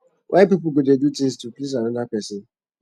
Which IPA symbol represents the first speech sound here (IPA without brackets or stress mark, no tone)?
w